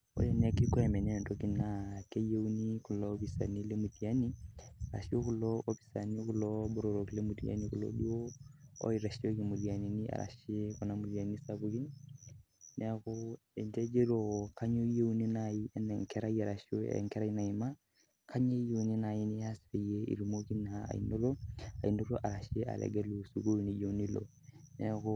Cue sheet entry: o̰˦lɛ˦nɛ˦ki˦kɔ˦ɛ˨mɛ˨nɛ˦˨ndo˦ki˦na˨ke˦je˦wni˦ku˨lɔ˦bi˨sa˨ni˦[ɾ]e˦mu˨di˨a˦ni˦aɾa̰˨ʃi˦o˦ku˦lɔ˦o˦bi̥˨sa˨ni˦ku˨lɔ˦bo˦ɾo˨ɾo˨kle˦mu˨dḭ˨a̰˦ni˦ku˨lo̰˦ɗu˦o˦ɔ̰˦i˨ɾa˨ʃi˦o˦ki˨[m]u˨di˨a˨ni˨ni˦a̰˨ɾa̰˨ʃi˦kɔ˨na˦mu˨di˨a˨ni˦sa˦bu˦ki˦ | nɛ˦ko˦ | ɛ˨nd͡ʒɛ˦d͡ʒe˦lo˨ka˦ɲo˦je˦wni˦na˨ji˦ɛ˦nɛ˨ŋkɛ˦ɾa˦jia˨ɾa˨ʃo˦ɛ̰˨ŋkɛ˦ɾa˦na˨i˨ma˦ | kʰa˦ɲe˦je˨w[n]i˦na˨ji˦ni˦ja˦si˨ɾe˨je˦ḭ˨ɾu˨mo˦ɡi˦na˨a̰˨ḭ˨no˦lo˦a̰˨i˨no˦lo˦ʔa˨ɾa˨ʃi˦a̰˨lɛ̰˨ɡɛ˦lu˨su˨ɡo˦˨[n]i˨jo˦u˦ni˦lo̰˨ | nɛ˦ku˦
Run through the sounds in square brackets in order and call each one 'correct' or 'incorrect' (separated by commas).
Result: incorrect, correct, correct, correct